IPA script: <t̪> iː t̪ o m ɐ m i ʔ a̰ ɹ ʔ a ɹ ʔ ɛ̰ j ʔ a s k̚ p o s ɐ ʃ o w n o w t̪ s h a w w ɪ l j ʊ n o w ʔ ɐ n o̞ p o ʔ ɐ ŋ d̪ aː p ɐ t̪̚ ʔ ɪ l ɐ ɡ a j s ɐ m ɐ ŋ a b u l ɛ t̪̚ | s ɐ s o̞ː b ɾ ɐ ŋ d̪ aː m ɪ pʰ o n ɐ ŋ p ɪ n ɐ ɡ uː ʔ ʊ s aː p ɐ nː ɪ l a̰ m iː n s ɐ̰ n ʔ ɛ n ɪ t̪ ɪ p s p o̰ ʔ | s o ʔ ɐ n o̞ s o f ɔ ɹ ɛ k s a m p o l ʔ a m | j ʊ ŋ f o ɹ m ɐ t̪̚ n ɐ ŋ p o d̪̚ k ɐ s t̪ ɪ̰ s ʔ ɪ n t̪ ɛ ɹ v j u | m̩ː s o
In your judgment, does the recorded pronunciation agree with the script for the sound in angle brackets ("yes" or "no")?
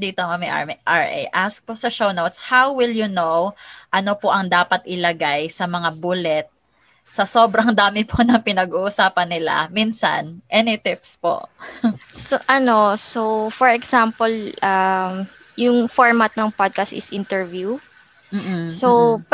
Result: no